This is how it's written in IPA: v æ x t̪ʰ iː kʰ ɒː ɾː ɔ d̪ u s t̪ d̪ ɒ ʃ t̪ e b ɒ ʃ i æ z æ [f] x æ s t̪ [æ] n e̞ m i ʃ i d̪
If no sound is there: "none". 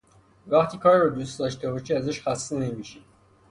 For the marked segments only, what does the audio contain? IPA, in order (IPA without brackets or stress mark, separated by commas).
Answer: ʃ, e